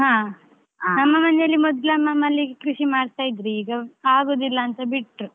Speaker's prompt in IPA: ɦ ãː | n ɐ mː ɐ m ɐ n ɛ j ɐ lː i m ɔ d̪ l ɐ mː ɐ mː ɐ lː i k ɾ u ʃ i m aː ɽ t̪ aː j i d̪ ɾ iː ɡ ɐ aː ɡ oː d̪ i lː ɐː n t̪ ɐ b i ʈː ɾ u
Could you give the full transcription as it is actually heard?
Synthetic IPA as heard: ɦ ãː | n ɐ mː ɐ m ɐ n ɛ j ɐ lː i m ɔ d̪ l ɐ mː ɐ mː ɐ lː i k ɾ u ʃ i m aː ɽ t̪ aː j i d̪ ɾ iː ɡ ɐ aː ɡ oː d̪ i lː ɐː n t̪ ɐ b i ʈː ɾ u